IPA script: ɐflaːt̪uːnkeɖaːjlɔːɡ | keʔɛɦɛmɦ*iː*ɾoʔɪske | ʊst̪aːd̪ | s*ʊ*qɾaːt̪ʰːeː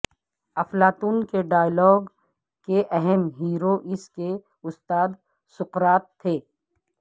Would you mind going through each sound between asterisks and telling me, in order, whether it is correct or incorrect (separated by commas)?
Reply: correct, correct